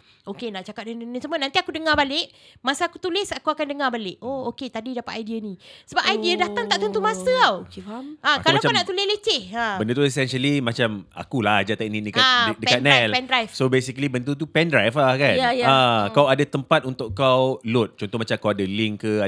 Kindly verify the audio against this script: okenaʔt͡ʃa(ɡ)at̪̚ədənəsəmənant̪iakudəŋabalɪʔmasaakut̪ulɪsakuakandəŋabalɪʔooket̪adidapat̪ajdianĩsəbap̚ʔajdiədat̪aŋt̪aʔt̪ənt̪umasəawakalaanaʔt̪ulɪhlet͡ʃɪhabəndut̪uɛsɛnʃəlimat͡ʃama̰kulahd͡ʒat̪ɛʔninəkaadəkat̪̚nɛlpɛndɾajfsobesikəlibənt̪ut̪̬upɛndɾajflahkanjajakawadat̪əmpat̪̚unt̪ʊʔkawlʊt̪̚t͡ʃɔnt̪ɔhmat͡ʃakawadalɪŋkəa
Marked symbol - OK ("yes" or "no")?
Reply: no